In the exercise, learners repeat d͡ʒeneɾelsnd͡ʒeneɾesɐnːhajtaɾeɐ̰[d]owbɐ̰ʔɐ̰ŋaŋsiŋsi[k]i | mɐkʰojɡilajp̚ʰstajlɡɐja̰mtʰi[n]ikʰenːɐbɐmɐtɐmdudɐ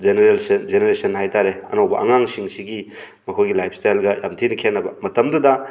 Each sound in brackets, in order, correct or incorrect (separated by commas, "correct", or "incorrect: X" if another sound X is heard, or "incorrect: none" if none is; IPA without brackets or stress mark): incorrect: n, incorrect: ɡ, correct